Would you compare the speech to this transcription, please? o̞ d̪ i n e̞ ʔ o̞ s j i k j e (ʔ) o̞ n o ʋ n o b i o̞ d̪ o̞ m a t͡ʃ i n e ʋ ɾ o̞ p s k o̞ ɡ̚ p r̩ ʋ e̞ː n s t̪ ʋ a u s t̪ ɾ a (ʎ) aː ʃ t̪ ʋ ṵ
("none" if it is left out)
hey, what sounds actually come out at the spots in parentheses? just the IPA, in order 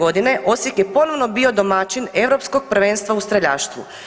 p, ʎ

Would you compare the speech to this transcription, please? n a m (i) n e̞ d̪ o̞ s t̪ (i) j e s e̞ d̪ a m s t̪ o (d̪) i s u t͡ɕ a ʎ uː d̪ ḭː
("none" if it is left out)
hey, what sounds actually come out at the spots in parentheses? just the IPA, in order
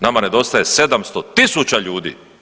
a, a, t̪

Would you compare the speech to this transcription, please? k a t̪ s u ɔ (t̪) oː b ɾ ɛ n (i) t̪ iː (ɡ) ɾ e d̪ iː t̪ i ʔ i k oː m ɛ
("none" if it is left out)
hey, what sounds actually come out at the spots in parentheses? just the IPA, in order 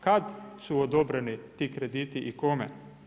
d̪, i, k

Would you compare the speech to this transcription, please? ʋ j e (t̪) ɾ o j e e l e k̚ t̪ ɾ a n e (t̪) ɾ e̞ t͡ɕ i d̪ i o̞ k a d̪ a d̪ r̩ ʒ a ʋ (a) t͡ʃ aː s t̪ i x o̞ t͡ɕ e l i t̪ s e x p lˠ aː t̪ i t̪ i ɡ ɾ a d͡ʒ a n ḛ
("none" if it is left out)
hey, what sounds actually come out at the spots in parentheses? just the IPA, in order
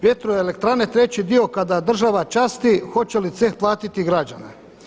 t̪, t̪, a

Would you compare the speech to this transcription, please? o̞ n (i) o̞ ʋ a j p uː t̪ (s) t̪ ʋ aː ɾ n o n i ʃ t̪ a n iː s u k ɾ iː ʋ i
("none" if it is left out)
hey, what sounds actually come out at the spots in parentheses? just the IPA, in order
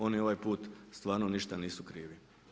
i, s

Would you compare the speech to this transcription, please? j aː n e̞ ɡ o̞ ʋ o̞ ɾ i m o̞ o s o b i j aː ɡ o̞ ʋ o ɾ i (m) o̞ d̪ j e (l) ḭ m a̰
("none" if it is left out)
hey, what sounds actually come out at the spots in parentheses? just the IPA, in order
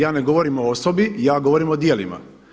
m, l

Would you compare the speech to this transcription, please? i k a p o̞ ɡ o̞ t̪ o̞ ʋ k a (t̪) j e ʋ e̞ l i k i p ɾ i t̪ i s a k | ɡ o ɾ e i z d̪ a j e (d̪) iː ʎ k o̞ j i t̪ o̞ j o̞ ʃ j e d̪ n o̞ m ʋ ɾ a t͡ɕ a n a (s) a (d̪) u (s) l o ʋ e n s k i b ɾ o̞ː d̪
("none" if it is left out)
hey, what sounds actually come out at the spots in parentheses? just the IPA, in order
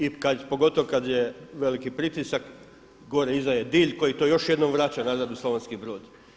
d̪, d̪, z, d̪, s

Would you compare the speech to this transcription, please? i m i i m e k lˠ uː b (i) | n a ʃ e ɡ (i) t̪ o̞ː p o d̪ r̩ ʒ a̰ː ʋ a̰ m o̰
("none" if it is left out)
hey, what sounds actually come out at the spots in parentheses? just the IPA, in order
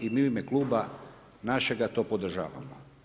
a, a

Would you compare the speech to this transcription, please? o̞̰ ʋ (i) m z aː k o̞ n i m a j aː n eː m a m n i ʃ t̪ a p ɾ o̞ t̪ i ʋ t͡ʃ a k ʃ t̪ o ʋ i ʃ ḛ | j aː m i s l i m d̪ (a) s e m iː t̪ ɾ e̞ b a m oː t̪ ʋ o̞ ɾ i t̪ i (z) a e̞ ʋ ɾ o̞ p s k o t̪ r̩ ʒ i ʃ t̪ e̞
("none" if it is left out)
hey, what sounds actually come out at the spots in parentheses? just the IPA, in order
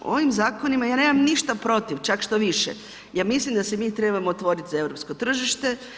i, a, z

